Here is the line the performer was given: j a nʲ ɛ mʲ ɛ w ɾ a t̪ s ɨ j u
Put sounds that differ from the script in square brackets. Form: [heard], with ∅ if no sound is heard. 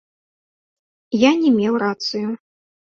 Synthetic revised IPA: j a nʲ ɛ mʲ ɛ w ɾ a t̪ s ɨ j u

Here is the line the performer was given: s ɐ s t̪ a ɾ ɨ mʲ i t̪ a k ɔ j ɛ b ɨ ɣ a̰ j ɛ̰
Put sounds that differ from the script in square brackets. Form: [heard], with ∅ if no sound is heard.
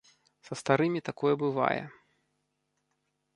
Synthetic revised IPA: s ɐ s t̪ a ɾ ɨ mʲ i t̪ a k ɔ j ɛ b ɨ [v] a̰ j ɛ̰

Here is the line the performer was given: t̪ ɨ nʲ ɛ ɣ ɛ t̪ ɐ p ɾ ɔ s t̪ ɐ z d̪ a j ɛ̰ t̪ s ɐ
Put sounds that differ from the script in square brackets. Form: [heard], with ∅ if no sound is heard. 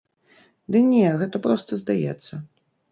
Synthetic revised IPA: [d̪] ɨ nʲ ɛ ɣ ɛ t̪ ɐ p ɾ ɔ s t̪ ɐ z d̪ a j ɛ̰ t̪ [sː] ɐ

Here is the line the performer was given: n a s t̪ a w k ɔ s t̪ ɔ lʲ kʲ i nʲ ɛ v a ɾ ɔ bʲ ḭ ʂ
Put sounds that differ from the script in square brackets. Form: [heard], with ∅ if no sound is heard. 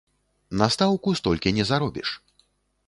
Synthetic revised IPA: n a s t̪ a w k [u] s t̪ ɔ lʲ kʲ i nʲ ɛ [z] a ɾ ɔ bʲ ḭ ʂ

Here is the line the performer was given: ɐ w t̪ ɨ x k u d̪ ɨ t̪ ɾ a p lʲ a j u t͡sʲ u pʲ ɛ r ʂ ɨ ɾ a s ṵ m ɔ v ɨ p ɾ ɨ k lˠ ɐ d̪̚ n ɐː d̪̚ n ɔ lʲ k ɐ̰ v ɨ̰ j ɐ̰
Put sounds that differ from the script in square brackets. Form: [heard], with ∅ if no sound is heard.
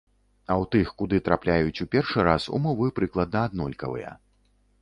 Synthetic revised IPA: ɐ w t̪ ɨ x k u d̪ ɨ t̪ ɾ a p lʲ a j u t͡sʲ u pʲ ɛ r ʂ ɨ ɾ a s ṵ m ɔ v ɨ p ɾ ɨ k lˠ ɐ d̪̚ n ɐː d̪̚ n ɔ lʲ k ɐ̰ v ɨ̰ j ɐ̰

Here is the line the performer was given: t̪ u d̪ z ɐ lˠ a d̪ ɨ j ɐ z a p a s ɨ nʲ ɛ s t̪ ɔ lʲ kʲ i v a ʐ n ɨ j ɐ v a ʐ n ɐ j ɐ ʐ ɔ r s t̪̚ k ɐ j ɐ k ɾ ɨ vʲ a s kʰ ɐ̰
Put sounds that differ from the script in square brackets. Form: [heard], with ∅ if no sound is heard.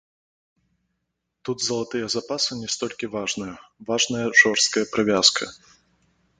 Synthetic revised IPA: t̪ u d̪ z ɐ lˠ a [t̪] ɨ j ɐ z a p a s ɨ nʲ ɛ s t̪ ɔ lʲ kʲ i v a ʐ n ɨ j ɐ v a ʐ n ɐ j ɐ ʐ ɔ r s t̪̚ k ɐ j ɐ [p] ɾ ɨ vʲ a s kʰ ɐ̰

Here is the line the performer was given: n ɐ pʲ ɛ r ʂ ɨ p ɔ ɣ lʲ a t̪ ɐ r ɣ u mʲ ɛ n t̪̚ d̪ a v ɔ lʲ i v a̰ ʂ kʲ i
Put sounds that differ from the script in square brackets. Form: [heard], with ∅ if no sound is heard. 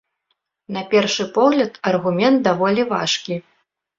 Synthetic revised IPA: n ɐ pʲ ɛ r ʂ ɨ p ɔ ɣ lʲ [ɐ] t̪ ɐ r ɣ u mʲ ɛ n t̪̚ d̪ a v ɔ lʲ i v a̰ ʂ kʲ i

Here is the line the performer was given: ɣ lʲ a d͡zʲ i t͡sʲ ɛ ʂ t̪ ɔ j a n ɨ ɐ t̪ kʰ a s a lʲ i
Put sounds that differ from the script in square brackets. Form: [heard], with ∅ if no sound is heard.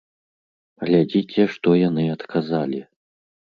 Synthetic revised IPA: ɣ lʲ a d͡zʲ i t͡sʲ ɛ ʂ t̪ ɔ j a n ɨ ɐ t̪ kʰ a [z] a lʲ i

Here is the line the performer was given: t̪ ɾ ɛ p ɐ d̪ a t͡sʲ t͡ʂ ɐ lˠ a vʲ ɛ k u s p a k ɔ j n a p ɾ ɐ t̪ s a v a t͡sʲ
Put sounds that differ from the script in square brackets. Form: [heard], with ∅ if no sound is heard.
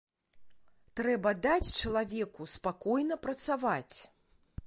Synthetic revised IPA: t̪ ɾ ɛ [b] ɐ d̪ a t͡sʲ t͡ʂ ɐ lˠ a vʲ ɛ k u s p a k ɔ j n [ɐ] p ɾ ɐ t̪ s a v a t͡sʲ

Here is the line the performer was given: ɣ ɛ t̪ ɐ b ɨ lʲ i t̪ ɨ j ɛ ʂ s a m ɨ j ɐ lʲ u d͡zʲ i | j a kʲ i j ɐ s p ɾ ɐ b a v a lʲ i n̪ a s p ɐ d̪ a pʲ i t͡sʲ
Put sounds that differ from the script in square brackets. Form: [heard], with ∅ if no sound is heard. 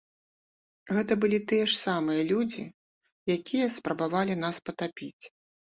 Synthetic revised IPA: ɣ ɛ t̪ ɐ b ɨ lʲ i t̪ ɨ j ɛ ʂ s a m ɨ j ɐ lʲ u d͡zʲ i | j a kʲ i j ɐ s p ɾ ɐ b a v a lʲ i n̪ a s p ɐ [t̪] a pʲ i t͡sʲ

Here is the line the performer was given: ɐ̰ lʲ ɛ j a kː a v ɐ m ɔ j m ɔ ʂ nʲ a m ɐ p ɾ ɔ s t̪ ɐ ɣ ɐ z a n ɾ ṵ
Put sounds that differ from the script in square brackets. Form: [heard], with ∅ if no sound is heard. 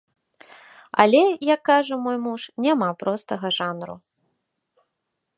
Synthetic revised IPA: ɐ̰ lʲ ɛ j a kː a [ʐ] ɐ m ɔ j m [u] ʂ nʲ a m [a] p ɾ ɔ s t̪ ɐ ɣ ɐ [ʐ] a n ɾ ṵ

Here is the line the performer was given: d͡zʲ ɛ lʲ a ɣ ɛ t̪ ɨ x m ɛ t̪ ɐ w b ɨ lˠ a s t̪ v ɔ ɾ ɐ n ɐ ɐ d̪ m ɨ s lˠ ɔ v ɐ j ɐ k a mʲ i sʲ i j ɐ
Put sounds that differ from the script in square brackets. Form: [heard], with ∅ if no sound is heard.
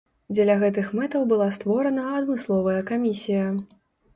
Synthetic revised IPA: d͡zʲ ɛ lʲ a ɣ ɛ t̪ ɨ x m ɛ t̪ ɐ w b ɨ lˠ a s t̪ v ɔ ɾ ɐ n ɐ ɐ d̪ m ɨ s lˠ ɔ v ɐ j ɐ k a mʲ i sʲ i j ɐ

